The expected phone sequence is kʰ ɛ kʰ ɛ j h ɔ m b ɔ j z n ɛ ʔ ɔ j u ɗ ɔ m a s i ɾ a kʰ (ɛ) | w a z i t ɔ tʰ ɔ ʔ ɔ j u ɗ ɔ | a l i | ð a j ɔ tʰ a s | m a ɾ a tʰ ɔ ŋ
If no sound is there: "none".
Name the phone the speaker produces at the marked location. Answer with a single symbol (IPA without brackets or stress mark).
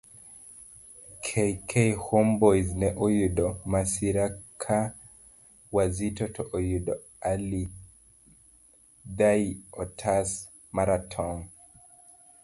a